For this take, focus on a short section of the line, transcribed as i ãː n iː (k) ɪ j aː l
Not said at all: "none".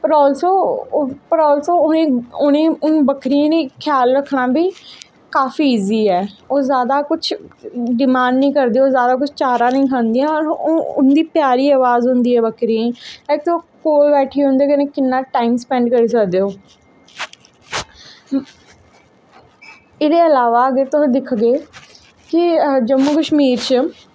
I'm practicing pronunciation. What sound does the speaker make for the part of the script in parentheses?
kʰ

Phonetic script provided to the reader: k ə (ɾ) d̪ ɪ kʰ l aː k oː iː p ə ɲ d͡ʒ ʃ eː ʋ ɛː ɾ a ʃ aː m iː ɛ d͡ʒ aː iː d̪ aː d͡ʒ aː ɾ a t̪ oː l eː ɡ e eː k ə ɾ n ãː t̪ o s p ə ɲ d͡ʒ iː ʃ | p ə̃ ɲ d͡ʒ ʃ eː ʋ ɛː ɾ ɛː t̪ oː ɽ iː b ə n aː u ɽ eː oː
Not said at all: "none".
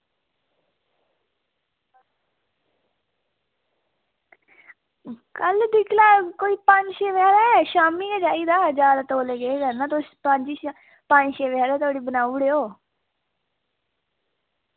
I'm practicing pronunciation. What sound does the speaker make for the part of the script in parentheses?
l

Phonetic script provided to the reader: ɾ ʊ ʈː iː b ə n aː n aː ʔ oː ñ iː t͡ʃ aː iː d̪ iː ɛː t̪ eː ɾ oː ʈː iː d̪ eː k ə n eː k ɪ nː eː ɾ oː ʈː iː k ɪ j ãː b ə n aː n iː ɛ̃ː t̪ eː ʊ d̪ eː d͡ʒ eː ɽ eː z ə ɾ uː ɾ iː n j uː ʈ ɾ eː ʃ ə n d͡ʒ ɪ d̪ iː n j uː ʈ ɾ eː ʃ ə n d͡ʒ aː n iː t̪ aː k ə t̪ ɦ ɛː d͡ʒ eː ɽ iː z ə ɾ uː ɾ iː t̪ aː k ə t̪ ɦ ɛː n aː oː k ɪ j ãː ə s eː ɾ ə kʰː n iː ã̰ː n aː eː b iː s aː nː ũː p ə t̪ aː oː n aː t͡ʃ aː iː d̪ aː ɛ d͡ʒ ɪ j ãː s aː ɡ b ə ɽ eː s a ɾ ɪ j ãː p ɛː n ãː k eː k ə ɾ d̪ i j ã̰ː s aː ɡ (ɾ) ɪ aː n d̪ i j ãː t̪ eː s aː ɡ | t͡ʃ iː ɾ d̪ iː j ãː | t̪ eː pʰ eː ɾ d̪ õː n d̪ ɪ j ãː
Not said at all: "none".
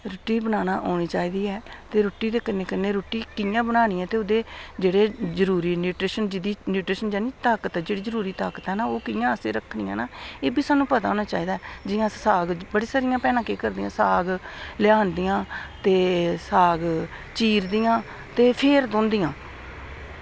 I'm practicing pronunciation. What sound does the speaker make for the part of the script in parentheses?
l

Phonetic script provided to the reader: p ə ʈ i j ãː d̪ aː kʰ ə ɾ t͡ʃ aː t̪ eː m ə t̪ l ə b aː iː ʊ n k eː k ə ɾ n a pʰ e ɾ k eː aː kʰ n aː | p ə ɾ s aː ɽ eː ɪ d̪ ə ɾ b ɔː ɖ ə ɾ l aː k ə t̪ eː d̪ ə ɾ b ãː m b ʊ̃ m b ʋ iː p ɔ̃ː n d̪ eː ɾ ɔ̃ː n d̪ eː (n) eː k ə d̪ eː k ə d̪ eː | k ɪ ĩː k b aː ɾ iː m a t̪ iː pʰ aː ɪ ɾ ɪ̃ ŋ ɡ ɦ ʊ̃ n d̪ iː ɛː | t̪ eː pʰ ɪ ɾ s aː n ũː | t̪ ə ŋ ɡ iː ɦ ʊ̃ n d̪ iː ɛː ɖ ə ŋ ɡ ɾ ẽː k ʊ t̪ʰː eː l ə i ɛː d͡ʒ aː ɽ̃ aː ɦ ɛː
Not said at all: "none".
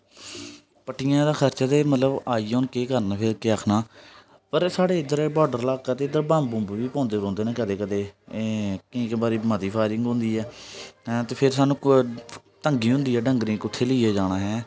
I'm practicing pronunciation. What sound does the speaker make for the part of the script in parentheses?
n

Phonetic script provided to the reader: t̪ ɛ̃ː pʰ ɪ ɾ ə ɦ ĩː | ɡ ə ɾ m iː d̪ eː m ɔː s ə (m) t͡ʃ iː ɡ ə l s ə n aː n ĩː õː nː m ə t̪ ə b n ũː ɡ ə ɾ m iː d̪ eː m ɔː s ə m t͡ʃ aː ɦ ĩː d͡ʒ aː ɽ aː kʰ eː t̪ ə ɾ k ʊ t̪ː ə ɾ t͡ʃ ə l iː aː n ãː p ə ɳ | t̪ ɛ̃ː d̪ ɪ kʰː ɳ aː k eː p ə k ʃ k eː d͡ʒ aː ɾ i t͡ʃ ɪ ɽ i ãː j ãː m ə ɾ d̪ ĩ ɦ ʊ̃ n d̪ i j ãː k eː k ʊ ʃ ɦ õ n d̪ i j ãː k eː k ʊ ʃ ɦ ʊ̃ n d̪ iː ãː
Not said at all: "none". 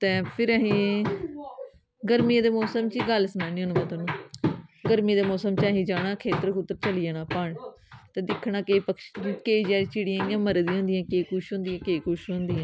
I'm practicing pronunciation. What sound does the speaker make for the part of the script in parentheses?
m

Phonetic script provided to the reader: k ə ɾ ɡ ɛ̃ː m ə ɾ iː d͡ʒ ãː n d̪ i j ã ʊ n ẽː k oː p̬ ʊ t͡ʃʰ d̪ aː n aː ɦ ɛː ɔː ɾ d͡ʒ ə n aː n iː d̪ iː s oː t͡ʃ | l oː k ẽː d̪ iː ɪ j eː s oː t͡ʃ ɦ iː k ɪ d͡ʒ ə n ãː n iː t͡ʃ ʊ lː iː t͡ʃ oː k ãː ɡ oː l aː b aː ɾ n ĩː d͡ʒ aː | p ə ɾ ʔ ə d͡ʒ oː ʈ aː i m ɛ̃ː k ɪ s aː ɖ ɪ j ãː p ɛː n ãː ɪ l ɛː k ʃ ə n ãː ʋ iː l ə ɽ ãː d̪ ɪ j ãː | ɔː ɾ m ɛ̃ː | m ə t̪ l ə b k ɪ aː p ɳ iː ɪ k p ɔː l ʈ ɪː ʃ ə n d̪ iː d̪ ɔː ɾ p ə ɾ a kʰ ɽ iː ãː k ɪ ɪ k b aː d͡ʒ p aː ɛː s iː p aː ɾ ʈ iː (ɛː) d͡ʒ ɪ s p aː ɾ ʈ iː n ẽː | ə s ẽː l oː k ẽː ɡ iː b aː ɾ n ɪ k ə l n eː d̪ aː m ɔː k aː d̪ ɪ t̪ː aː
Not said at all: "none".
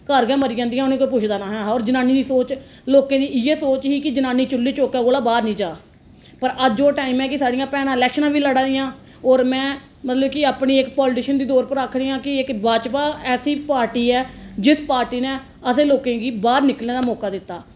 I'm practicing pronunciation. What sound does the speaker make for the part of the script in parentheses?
ɛː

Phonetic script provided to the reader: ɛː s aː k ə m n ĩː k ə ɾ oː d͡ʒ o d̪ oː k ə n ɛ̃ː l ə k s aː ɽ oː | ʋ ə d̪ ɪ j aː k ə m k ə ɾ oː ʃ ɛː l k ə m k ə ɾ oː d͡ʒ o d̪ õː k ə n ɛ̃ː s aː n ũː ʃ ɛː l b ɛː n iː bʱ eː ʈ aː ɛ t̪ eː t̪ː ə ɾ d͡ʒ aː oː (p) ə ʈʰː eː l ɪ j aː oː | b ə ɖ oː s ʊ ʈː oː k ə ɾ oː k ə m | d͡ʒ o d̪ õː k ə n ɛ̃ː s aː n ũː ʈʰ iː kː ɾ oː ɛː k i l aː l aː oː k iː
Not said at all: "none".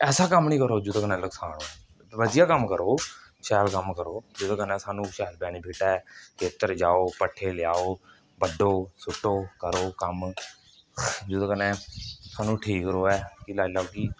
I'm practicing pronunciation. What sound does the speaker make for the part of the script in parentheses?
p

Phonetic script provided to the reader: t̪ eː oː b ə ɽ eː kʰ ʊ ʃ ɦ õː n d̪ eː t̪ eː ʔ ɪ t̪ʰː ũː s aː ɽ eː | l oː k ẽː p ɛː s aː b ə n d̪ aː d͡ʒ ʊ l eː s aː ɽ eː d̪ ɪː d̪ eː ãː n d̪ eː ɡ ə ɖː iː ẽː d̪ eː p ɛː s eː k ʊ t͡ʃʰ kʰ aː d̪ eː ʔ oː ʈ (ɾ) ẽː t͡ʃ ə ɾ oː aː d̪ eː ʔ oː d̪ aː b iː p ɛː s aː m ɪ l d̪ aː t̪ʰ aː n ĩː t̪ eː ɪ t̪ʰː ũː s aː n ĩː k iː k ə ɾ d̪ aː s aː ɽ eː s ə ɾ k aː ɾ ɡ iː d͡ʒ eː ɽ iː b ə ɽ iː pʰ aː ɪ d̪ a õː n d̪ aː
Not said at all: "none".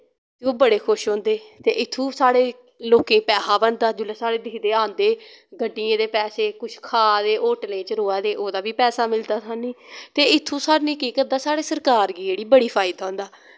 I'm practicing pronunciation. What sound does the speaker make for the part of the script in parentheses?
l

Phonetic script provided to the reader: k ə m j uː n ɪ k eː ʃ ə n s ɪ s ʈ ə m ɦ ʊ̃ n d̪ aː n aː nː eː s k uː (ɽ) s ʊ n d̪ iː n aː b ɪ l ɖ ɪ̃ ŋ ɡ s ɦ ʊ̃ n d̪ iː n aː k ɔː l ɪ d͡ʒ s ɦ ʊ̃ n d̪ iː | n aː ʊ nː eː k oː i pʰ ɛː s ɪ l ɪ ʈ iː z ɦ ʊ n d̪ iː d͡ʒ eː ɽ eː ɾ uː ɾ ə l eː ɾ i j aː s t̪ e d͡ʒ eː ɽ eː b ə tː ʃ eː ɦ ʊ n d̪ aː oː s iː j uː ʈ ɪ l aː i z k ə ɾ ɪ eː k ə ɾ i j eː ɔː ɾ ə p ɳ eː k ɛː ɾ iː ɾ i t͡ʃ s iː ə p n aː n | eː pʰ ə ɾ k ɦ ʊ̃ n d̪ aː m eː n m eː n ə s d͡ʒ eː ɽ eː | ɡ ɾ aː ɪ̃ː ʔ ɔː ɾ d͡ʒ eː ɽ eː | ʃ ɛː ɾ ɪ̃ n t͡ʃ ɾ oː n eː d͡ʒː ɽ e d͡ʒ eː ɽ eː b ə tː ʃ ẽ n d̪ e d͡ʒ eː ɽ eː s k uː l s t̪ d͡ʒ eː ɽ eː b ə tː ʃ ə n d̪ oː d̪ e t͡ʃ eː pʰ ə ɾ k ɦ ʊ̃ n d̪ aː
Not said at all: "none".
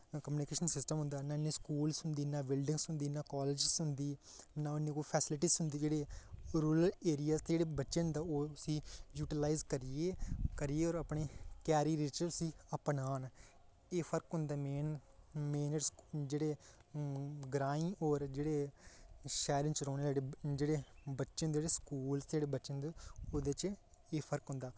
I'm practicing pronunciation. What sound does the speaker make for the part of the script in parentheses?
l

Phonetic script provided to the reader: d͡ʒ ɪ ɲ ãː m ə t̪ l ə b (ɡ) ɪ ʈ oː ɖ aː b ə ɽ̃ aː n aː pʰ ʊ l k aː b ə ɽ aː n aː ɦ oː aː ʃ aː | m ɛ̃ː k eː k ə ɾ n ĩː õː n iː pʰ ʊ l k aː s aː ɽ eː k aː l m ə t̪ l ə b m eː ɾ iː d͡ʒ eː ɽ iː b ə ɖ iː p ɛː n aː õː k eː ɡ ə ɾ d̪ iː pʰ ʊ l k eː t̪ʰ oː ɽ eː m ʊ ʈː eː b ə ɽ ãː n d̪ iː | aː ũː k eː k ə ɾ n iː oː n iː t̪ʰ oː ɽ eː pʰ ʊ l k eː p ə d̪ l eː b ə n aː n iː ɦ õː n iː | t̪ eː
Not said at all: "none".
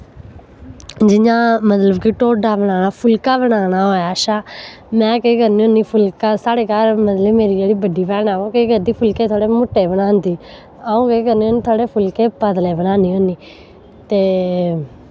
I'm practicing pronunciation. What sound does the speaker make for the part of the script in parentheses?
k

